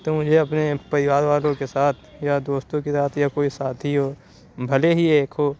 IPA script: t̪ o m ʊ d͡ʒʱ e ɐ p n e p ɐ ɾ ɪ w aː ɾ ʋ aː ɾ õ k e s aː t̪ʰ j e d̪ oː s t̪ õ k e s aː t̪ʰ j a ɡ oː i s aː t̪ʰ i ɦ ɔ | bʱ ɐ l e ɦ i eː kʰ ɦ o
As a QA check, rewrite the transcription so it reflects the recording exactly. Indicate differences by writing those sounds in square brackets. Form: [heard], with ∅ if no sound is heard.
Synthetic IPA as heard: t̪ o m ʊ d͡ʒʱ e ɐ p n e p ɐ ɾ ɪ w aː ɾ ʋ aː [l] õ k e s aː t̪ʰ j [a] d̪ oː s t̪ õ k e s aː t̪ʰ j a [k] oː i s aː t̪ʰ i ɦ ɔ | bʱ ɐ l e ɦ i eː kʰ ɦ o